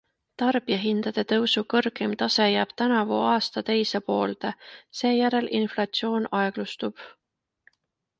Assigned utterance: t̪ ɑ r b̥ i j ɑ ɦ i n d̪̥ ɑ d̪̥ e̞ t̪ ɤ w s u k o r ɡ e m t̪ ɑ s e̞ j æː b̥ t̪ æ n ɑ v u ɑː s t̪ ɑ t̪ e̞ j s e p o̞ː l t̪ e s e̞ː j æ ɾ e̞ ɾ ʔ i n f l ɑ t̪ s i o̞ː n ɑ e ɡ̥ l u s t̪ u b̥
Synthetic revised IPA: t̪ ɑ r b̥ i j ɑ ɦ i n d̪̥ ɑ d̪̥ e̞ t̪ ɤ w s u k ɤ r ɡ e m t̪ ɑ s e̞ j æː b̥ t̪ æ n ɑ v u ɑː s t̪ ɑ t̪ e̞ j s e p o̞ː l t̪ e s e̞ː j æ ɾ e̞ l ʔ i n f l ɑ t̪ s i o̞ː n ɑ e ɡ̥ l u s t̪ u b̥

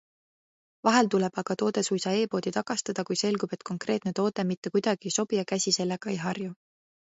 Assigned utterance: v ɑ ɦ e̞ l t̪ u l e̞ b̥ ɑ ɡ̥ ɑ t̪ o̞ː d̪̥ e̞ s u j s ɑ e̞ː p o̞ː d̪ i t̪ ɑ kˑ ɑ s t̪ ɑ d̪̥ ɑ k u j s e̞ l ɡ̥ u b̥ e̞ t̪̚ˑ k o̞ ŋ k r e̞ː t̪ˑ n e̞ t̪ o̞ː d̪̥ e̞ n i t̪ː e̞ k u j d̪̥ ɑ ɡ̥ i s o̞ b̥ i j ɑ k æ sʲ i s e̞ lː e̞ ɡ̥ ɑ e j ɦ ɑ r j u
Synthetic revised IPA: v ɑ ɦ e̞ l t̪ u l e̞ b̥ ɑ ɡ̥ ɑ t̪ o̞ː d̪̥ e̞ s u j s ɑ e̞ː p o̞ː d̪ i t̪ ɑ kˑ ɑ s t̪ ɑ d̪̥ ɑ k u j s e̞ l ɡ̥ u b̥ e̞ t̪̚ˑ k o̞ ŋ k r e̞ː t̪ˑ n e̞ t̪ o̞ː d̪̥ e̞ m i t̪ː e̞ k u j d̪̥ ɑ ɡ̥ i s o̞ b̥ i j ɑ k æ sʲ i s e̞ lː e̞ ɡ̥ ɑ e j ɦ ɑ r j u

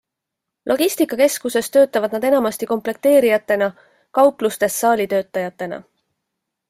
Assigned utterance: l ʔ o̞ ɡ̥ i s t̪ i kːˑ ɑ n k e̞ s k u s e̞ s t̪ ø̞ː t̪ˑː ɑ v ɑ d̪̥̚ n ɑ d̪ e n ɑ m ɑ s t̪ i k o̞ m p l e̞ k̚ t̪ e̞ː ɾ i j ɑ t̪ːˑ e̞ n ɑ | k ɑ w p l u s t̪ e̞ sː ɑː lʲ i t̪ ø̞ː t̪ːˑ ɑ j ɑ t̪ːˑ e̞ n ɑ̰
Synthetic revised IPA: l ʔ o̞ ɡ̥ i s t̪ i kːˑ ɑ k e̞ s k u s e̞ s t̪ ø̞ː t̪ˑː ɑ v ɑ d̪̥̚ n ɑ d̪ e n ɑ m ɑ s t̪ i k o̞ m p l e̞ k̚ t̪ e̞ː ɾ i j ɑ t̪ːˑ e̞ n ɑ | k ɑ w p l u s t̪ e̞ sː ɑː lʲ i t̪ ø̞ː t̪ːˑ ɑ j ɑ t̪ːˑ e̞ n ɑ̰

